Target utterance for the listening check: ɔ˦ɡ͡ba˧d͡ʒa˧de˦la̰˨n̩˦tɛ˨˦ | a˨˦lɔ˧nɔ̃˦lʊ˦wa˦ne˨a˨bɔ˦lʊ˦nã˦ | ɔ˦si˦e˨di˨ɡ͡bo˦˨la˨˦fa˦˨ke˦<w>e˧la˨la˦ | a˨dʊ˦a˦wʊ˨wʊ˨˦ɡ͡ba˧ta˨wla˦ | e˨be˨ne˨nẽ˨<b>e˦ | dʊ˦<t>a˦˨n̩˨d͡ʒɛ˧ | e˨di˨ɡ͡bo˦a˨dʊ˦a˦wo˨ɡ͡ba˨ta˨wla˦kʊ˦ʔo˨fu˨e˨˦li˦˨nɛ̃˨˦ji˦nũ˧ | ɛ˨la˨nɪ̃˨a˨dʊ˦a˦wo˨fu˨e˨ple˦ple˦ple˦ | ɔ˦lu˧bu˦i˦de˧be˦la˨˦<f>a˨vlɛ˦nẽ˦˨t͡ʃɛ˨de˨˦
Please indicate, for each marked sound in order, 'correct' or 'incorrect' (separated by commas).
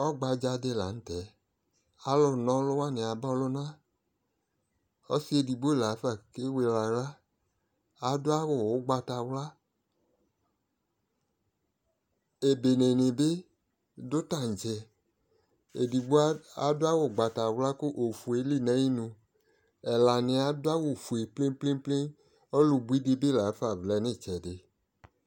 correct, correct, correct, correct